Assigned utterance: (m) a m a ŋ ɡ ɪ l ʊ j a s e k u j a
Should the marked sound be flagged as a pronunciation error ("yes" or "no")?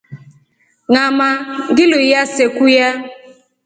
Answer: yes